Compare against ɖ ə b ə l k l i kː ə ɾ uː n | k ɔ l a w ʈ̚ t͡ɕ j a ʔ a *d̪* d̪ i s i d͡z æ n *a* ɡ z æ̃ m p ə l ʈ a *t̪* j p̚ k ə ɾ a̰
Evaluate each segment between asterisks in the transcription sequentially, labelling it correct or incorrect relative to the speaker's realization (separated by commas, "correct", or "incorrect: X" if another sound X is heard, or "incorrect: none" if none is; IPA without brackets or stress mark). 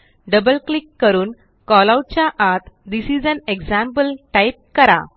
incorrect: t̪, incorrect: e, incorrect: none